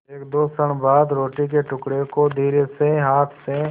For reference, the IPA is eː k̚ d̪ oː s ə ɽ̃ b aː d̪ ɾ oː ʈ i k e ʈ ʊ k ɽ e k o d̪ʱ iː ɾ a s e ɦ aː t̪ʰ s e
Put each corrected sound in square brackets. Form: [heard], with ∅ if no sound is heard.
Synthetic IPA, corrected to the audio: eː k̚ d̪ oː s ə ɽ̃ b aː d̪ ɾ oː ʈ i k e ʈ ʊ k ɽ e k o d̪ʱ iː ɾ [e] s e ɦ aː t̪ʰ s e